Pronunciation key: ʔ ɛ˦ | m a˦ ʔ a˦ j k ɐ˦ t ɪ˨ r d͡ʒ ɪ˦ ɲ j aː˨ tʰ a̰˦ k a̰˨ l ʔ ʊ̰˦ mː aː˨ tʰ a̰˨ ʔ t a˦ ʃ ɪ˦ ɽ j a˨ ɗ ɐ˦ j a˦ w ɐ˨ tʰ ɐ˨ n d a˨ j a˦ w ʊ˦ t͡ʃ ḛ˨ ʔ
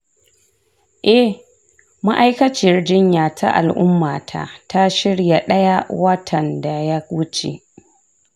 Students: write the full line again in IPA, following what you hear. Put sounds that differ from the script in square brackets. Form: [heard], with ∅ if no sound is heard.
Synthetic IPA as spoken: ʔ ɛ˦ | m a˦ ʔ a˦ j k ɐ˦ [t͡ʃ] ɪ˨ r d͡ʒ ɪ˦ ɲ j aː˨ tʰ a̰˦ [ʔ] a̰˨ l ʔ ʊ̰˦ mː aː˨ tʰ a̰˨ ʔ t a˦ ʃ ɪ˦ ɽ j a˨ ɗ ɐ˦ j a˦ w [ɐ˦] tʰ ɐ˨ n d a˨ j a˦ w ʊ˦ t͡ʃ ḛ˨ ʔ